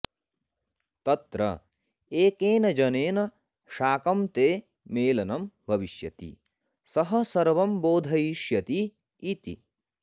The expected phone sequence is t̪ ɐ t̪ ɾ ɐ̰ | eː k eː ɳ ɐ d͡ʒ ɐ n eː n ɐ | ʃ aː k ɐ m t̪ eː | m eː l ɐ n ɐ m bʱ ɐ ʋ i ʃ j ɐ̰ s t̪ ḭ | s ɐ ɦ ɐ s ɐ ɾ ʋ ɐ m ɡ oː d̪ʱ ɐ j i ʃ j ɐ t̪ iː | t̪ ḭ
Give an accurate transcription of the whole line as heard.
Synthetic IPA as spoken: t̪ ɐ t̪ ɾ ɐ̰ | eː k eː n ɐ d͡ʒ ɐ n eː n ɐ | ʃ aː k ɐ m t̪ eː | m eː l ɐ n ɐ m bʱ ɐ ʋ i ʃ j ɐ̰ t̪ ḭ | s ɐ ɦ ɐ s ɐ ɾ ʋ ɐ m b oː d̪ʱ ɐ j i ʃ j ɐ t̪ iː | t̪ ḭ